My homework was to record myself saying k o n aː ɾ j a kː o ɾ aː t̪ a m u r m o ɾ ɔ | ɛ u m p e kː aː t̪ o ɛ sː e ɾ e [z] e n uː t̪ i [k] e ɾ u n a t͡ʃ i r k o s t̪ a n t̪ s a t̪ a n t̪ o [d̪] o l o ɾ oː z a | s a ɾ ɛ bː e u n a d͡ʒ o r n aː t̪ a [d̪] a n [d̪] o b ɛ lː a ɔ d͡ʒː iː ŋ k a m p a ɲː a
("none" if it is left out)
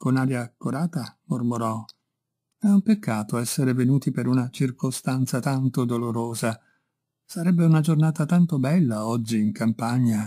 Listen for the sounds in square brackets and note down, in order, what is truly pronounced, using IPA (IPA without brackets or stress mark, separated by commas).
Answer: v, p, d̪, t̪, t̪